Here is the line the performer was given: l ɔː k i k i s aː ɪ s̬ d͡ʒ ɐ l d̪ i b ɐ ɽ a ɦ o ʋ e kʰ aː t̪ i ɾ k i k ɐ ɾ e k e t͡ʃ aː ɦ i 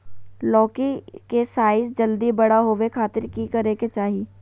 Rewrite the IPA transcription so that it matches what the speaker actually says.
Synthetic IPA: l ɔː k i k e s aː ɪ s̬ d͡ʒ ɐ l d̪ i b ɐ ɽ a ɦ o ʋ e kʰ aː t̪ ɪ ɾ k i k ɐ ɾ e k e t͡ʃ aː ɦ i